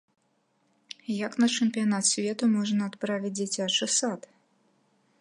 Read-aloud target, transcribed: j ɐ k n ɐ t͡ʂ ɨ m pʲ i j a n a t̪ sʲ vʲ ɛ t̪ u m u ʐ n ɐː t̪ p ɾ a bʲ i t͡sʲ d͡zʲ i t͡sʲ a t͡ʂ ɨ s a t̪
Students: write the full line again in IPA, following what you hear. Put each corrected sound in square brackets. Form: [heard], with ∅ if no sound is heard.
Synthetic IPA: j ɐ k n ɐ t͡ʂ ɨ m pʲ i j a n a t̪ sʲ vʲ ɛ t̪ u m [ɔ] ʐ n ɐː t̪ p ɾ a [vʲ] i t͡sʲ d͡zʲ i t͡sʲ a t͡ʂ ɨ s a t̪